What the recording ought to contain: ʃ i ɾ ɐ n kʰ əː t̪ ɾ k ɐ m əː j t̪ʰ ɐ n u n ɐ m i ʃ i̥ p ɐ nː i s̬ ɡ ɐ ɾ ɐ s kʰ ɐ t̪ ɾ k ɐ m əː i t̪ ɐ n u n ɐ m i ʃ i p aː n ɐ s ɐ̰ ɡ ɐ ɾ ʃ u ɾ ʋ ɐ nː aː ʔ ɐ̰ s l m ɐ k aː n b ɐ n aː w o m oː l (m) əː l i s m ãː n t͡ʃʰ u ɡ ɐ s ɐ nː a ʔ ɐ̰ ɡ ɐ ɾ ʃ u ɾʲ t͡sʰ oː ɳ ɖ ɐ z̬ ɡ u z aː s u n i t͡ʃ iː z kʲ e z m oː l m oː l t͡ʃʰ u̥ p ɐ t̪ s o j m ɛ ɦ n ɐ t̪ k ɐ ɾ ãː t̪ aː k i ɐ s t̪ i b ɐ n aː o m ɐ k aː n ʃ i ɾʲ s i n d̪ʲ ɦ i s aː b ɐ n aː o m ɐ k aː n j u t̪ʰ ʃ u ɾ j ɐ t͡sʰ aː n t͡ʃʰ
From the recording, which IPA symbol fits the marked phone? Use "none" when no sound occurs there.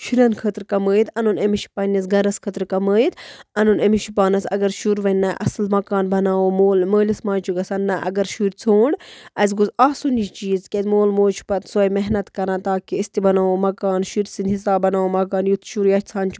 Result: m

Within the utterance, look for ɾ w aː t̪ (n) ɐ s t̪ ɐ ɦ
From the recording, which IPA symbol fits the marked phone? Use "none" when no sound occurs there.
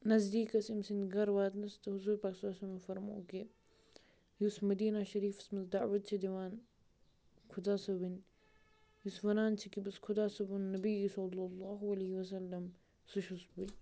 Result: n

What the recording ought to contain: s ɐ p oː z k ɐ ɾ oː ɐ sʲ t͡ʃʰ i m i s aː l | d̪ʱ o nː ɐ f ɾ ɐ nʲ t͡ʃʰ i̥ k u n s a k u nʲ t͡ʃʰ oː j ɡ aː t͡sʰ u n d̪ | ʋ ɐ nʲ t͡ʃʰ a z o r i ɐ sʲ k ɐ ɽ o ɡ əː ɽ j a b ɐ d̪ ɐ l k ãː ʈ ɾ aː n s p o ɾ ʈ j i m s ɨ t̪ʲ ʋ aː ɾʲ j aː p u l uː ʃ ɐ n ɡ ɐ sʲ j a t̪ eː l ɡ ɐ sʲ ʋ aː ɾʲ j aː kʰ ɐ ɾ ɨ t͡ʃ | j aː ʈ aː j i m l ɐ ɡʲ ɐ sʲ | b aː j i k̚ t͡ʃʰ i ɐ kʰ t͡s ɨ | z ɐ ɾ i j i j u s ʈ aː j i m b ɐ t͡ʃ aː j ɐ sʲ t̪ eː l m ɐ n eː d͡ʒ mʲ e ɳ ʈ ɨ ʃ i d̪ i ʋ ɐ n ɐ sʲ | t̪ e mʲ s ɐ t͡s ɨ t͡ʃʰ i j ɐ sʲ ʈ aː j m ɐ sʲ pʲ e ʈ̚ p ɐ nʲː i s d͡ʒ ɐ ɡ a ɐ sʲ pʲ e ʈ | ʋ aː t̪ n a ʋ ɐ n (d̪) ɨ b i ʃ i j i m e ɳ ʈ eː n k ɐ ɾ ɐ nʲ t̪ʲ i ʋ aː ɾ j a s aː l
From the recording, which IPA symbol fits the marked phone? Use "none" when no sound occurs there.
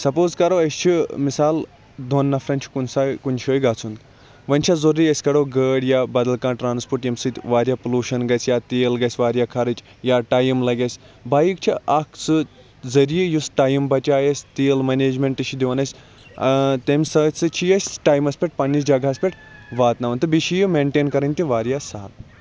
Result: t̪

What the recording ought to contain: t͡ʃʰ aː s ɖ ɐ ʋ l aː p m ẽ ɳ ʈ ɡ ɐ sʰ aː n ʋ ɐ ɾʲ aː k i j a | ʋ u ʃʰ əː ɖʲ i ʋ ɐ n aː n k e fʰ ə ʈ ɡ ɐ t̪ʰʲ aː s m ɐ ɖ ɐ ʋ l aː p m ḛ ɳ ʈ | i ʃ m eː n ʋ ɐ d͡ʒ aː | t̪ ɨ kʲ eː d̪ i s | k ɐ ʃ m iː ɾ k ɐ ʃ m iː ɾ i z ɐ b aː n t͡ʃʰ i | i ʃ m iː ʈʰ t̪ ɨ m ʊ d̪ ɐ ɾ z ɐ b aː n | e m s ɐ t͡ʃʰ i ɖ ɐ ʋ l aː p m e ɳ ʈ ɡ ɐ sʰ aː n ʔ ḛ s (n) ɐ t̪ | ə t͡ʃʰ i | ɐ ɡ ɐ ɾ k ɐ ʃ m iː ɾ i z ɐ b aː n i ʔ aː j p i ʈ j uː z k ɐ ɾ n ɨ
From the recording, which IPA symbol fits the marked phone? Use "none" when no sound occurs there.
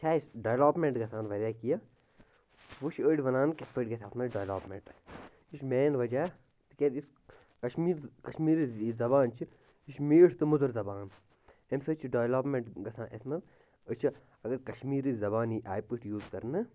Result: m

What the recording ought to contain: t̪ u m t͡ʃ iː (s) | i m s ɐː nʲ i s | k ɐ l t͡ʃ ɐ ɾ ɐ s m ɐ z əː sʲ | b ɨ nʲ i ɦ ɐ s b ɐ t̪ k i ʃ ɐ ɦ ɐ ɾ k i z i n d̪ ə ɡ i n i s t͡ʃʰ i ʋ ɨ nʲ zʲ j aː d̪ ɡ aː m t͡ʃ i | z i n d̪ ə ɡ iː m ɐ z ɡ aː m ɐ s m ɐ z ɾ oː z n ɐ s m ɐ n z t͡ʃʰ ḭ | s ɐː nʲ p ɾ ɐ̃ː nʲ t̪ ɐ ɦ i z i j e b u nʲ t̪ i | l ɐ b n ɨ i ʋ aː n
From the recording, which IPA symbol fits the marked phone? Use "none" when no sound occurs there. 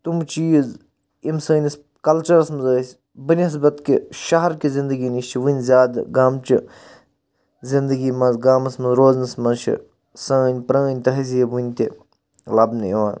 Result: z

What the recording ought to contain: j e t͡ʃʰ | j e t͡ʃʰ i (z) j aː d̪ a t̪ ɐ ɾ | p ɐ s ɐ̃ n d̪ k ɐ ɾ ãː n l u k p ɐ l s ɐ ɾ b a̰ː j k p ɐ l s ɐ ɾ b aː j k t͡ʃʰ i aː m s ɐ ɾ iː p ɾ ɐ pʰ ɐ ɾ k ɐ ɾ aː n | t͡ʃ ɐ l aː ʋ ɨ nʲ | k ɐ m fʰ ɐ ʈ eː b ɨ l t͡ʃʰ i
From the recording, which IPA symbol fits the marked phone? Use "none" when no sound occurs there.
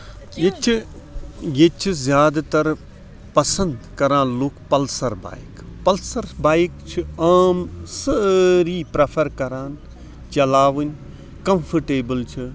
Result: z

